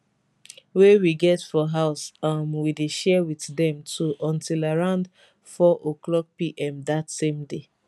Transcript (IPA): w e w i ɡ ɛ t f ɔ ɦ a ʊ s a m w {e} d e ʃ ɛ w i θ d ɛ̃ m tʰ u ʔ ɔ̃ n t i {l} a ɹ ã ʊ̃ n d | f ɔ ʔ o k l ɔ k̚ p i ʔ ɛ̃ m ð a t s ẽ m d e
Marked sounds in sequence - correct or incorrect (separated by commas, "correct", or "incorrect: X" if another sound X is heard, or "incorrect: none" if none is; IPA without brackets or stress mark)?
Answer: incorrect: i, correct